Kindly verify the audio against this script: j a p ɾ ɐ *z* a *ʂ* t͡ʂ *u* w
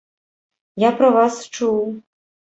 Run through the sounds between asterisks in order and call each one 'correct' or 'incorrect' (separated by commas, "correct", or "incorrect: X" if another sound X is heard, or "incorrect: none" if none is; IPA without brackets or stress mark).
incorrect: v, incorrect: s, correct